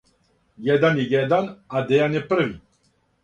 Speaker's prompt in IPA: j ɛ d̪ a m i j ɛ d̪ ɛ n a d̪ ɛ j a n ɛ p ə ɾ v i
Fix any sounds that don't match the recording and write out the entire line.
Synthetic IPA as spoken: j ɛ d̪ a n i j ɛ d̪ a n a d̪ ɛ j a n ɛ p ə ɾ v i